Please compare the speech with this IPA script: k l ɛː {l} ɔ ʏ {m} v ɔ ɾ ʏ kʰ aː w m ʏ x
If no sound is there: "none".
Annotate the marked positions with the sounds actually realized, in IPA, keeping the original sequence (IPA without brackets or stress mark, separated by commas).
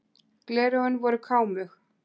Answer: ɾ, n